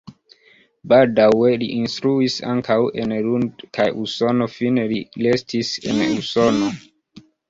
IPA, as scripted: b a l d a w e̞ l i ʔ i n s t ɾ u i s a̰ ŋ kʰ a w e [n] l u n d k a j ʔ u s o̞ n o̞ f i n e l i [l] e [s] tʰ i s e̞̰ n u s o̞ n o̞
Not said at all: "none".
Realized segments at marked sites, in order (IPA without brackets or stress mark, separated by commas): n, l, s